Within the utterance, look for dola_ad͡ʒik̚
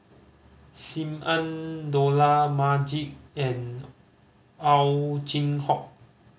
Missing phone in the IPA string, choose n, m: m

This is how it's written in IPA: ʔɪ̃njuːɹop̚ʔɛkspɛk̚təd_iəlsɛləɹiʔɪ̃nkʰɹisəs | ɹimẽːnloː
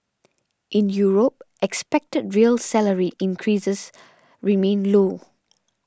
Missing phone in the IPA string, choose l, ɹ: ɹ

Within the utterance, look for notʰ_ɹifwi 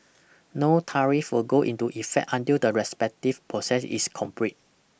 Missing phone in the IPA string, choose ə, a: a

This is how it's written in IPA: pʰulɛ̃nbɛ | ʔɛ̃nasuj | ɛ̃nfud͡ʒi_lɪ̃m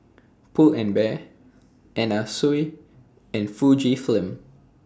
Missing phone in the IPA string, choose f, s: f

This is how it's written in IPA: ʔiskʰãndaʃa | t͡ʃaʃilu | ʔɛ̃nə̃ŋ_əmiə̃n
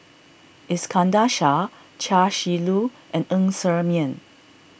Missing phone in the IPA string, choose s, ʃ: s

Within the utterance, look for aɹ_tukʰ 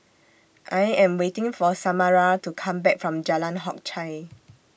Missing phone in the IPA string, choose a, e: a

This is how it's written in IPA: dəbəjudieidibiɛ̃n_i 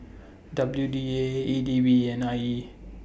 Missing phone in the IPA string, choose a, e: a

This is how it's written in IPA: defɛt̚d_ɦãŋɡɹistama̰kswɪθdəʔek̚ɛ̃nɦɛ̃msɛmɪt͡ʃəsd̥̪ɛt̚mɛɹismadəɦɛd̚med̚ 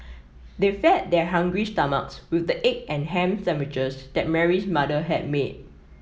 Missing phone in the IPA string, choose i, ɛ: ɛ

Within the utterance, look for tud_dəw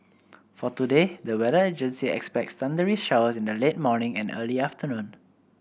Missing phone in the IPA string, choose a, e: e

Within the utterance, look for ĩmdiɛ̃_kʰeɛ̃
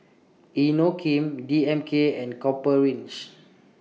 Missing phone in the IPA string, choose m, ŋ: m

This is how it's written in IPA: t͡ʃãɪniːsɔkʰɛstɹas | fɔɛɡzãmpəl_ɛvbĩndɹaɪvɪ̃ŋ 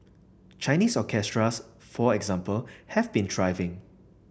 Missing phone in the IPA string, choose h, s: h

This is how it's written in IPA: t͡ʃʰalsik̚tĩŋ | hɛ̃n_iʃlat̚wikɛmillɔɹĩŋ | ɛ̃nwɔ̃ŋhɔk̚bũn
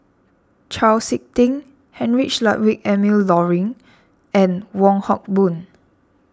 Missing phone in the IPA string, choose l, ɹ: ɹ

